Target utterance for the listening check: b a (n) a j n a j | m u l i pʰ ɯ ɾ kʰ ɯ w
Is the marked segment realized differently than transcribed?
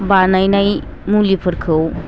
no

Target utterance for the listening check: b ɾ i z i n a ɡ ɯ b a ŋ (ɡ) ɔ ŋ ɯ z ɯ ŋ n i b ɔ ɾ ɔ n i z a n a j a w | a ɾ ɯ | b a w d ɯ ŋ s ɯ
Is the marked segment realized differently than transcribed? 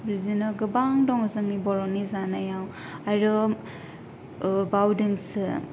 yes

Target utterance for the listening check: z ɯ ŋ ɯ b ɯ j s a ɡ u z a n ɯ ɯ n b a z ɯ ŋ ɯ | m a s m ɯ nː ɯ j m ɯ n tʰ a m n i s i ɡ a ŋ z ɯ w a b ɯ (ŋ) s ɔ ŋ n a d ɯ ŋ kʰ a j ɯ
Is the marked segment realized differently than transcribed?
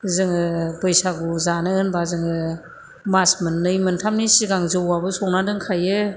yes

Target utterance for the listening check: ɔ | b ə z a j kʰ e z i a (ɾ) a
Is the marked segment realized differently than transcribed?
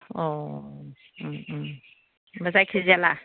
yes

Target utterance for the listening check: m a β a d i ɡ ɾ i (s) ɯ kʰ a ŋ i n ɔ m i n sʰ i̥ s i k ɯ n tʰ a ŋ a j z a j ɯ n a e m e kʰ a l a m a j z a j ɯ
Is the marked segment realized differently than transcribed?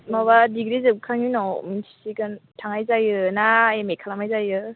yes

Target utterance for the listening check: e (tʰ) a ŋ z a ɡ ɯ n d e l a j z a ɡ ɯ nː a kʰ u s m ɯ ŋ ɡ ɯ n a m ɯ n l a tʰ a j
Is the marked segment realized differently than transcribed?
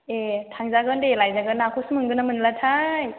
no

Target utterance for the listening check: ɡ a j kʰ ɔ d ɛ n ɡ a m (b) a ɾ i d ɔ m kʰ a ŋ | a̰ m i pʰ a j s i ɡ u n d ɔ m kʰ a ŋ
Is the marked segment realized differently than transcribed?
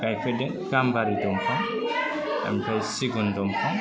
no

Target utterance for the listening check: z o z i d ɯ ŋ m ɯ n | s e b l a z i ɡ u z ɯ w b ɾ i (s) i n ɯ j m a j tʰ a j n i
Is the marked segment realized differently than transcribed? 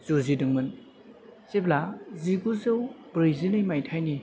yes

